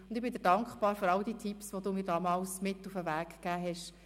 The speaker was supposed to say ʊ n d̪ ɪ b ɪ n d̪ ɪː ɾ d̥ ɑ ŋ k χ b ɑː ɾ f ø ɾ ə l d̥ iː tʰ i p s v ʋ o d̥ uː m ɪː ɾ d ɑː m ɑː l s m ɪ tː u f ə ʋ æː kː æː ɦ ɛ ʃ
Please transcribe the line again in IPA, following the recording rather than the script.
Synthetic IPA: ʊ n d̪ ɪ b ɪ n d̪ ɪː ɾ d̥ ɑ ŋ k χ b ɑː ɾ f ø ɾ ɑ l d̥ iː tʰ i p s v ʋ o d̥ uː m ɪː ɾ d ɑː m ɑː l s m ɪ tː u f ə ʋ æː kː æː ɦ ɛ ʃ